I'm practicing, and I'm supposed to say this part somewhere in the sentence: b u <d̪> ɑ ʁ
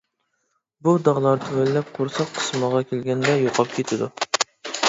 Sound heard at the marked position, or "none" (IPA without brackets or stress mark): d̪